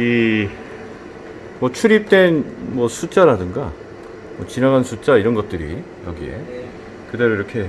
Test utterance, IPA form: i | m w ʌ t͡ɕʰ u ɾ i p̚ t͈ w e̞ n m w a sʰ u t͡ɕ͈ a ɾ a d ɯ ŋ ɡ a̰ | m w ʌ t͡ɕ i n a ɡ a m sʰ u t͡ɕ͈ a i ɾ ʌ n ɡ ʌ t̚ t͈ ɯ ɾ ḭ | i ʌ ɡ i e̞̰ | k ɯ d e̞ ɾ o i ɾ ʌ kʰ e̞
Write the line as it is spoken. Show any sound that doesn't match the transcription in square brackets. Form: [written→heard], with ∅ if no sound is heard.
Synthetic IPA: i | m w ʌ t͡ɕʰ u ɾ i p̚ t͈ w e̞ n m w [a→ʌ] sʰ u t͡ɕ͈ a ɾ a d ɯ ŋ ɡ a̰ | m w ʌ t͡ɕ i n a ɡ a [m→n] sʰ u t͡ɕ͈ a i ɾ ʌ n ɡ ʌ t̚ t͈ ɯ ɾ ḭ | [i→j] ʌ ɡ i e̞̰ | k ɯ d e̞ ɾ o i ɾ ʌ kʰ e̞